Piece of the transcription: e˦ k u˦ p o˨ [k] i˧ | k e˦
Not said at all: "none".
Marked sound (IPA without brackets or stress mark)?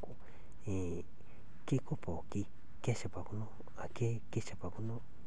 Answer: k